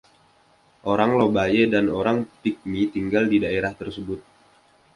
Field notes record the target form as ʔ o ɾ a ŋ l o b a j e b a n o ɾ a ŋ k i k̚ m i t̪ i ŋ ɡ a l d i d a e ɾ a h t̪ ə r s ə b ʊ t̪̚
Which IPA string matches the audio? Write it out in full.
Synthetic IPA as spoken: ʔ o ɾ a ŋ l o b a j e d a n o ɾ a ŋ p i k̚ m i t̪ i ŋ ɡ a l d i d a e ɾ a h t̪ ə r s ə b ʊ t̪̚

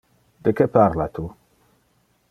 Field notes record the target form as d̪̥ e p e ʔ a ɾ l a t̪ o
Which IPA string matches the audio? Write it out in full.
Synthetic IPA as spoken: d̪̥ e k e p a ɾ l a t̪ u

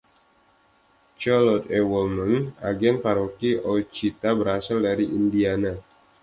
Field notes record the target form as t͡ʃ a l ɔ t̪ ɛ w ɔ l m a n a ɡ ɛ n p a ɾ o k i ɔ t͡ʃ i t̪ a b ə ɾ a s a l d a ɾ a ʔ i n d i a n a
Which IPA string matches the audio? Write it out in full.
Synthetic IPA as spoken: t͡ʃ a l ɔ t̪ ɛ w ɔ l m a n a ɡ ɛ n p a ɾ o k i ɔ t͡ʃ i t̪ a b ə ɾ a s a l d a ɾ i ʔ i n d i a n a

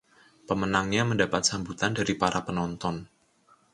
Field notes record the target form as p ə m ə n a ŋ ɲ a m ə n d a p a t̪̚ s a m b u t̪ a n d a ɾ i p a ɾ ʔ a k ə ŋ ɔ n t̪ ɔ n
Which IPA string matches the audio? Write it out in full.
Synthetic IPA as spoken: p ə m ə n a ŋ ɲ a m ə n d a p a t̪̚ s a m b u t̪ a n d a ɾ i p a ɾ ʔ a p ə n ɔ n t̪ ɔ n

